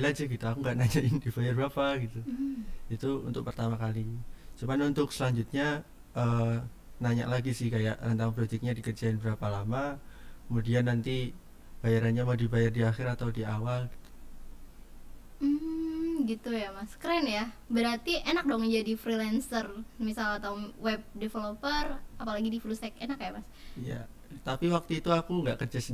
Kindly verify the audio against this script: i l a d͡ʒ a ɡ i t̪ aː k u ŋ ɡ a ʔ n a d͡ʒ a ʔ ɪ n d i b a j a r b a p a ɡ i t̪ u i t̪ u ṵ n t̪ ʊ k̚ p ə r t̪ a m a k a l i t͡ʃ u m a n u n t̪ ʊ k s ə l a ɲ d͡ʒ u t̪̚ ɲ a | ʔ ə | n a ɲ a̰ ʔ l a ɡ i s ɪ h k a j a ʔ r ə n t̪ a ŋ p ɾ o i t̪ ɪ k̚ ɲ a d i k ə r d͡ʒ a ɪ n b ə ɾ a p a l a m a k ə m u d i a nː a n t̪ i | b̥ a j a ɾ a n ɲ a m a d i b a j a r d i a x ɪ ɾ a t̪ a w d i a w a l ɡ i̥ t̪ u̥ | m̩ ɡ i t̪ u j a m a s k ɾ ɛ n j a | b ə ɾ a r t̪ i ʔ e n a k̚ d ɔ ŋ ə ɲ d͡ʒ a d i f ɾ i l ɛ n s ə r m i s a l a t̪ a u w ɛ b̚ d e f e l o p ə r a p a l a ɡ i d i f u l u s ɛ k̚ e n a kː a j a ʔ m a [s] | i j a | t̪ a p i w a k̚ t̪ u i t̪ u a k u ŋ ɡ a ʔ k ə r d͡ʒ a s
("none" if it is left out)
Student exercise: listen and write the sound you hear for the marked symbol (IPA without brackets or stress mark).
s